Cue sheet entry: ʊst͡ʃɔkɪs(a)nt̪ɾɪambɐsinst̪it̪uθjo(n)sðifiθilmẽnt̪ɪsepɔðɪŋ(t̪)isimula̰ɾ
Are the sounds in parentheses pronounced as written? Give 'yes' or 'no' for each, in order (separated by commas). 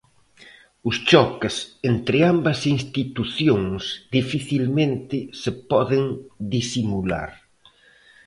no, no, no